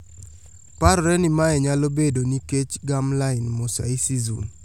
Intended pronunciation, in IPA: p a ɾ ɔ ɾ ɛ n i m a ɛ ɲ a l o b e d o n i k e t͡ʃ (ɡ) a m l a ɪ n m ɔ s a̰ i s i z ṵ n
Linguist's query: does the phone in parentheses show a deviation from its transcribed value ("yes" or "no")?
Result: no